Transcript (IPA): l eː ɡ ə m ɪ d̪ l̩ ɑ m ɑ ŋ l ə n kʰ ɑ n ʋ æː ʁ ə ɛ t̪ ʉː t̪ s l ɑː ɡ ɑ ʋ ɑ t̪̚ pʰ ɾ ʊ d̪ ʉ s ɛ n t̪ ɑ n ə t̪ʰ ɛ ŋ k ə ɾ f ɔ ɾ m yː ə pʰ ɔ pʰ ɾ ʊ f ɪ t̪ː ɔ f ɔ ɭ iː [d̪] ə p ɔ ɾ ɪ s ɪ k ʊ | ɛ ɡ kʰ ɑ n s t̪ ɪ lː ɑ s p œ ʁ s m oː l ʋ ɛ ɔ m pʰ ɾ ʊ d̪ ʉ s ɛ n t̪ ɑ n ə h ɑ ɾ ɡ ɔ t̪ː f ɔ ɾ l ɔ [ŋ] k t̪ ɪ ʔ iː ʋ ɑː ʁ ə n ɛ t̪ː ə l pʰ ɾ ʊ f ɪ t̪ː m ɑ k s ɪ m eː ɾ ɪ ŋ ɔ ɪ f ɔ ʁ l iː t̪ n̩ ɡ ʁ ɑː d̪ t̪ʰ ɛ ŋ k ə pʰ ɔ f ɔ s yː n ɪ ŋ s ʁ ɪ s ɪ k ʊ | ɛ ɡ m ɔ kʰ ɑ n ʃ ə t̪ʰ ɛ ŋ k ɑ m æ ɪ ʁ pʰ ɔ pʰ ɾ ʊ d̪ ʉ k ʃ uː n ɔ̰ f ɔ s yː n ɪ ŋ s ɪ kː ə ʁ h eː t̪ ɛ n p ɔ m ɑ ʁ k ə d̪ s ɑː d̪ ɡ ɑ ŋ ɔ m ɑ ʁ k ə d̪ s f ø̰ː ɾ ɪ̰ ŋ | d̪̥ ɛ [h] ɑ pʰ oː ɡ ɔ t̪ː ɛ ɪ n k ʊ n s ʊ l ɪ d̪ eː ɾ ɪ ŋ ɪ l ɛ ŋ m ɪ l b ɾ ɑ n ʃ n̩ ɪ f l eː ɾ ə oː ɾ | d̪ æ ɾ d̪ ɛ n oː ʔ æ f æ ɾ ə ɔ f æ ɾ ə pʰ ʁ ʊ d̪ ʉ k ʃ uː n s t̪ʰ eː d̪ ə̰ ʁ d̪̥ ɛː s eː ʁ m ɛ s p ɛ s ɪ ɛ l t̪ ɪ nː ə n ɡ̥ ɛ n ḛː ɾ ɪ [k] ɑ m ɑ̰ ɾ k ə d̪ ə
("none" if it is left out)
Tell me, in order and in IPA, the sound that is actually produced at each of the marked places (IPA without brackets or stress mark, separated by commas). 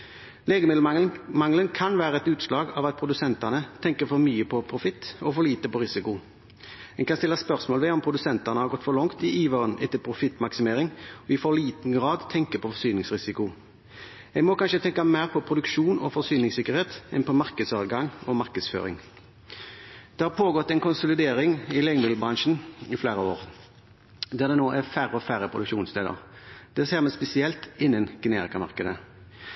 t̪, ŋ, h, k